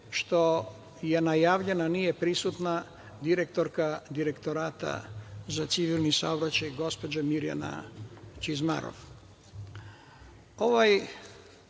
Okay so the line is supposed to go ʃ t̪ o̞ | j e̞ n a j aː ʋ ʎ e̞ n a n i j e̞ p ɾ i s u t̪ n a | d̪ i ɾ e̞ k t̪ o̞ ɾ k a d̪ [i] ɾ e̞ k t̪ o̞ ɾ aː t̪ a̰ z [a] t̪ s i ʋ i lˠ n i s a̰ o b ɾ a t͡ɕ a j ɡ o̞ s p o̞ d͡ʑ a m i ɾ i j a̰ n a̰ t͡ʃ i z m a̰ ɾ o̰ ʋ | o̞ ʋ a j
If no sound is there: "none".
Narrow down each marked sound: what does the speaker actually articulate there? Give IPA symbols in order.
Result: i, a

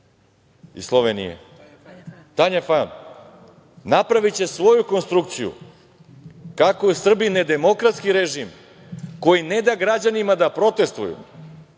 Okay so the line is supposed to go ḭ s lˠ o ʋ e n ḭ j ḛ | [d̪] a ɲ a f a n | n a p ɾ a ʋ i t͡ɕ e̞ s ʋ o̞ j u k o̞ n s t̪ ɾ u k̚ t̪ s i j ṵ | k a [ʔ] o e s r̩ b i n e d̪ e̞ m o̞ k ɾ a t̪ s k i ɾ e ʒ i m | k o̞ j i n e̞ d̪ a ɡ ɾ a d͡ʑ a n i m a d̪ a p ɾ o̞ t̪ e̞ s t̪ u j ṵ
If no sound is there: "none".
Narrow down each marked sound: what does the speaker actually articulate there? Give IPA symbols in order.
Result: t̪, k

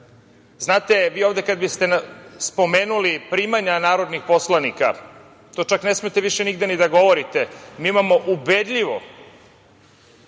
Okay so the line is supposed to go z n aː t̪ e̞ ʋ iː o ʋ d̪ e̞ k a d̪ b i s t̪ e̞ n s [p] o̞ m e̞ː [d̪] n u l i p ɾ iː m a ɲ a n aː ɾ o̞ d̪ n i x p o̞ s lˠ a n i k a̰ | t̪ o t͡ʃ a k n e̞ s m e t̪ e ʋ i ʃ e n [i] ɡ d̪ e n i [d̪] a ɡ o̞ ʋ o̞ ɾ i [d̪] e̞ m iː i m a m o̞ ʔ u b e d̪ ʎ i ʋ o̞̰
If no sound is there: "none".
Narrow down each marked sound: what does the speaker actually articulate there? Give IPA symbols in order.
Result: p, none, i, d̪, t̪

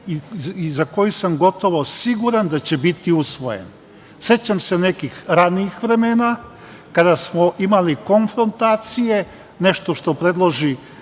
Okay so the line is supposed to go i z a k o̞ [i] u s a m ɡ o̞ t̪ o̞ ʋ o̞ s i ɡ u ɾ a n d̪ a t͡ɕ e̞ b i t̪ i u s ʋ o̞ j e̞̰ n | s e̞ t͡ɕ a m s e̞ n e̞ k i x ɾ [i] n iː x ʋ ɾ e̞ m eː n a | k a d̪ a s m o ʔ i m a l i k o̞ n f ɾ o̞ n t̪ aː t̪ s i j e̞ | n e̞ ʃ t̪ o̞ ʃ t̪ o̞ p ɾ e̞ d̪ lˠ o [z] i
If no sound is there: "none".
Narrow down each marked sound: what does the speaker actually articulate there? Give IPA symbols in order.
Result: j, a, ʒ

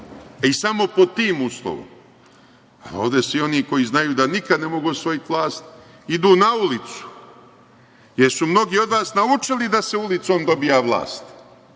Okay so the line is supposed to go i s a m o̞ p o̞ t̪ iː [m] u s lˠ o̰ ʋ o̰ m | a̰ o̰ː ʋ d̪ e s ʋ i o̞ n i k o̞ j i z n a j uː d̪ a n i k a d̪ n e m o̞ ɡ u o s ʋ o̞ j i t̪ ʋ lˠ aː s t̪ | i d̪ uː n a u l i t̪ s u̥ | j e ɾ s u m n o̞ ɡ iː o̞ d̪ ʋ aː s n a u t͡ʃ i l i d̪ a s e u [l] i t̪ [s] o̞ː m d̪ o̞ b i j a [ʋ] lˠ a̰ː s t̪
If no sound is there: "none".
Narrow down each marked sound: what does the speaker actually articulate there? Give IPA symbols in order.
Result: m, l, s, ʋ

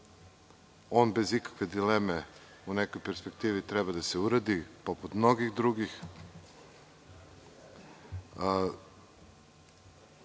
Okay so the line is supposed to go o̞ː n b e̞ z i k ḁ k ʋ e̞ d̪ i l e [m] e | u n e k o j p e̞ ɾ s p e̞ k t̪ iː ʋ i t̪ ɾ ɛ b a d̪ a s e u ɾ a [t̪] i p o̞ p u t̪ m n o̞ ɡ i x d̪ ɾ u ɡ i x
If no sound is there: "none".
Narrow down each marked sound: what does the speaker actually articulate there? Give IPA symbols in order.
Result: m, d̪

